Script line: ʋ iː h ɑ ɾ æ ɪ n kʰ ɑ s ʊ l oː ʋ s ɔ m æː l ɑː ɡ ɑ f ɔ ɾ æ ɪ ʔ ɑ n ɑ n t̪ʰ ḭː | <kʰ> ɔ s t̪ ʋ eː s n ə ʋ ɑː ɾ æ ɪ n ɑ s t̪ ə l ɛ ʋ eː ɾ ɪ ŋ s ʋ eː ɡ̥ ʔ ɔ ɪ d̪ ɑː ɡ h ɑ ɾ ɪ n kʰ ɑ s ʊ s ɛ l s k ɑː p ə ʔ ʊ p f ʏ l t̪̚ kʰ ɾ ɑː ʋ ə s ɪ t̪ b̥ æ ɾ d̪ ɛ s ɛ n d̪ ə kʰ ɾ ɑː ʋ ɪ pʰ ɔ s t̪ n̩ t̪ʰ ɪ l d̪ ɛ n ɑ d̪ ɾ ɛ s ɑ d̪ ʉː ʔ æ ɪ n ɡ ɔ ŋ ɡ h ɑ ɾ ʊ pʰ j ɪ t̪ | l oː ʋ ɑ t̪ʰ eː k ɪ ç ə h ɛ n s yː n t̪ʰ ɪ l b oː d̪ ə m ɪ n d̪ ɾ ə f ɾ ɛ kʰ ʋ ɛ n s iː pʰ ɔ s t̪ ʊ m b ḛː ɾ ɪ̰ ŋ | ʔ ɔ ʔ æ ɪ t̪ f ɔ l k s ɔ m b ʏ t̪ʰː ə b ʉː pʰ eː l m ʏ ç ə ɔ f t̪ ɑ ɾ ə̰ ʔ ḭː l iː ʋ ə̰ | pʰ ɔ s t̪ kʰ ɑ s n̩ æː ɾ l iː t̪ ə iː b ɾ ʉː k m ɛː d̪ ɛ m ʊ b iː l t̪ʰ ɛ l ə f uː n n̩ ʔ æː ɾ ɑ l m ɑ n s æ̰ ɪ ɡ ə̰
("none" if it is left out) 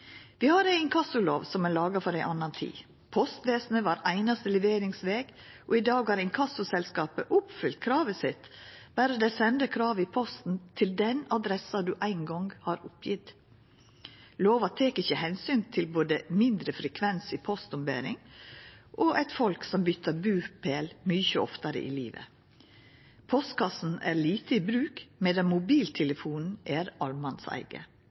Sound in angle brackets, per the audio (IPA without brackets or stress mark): pʰ